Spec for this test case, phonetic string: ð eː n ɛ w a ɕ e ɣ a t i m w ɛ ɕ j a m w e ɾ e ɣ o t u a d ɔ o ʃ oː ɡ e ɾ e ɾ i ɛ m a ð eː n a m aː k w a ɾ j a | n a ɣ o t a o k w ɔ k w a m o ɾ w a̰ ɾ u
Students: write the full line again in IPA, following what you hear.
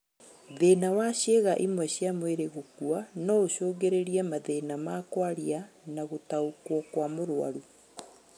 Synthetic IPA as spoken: ð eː n a w a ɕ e ɣ a ʔ i m w ɛ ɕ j a m w e ɾ e ɣ o k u a n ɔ o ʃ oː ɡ e ɾ e ɾ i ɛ m a ð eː n a m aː k w a ɾ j a | n a ɣ o t a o k w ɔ k w a m o ɾ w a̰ ɾ u